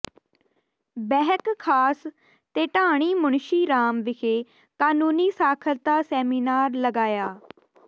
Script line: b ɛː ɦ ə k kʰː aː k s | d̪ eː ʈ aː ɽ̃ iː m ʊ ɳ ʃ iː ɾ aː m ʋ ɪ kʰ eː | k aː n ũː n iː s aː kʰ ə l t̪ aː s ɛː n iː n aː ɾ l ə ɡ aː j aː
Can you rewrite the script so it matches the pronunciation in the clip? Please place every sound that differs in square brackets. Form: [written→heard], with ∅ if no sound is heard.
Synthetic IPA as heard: b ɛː ɦ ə k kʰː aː [k→∅] s | [d̪→t̪] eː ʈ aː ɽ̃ iː m ʊ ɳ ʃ iː ɾ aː m ʋ ɪ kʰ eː | k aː n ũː n iː s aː kʰ ə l t̪ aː s ɛː [n→m] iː n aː ɾ l ə ɡ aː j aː